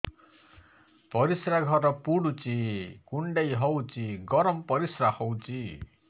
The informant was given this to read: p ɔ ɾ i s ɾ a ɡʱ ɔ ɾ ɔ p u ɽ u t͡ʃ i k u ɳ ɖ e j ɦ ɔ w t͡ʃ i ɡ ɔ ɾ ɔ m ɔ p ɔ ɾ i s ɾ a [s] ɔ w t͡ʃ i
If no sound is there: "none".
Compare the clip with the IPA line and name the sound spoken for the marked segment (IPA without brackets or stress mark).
h